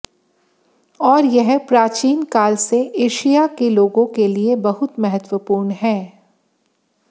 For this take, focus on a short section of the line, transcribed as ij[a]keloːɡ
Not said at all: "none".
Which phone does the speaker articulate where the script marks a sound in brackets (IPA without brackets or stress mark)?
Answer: a